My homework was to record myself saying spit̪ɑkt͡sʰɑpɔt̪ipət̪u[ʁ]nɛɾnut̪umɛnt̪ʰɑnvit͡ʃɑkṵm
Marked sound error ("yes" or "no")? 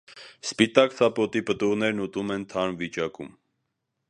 no